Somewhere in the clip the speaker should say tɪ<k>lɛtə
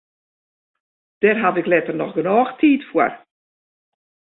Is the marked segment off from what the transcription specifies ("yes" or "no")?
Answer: no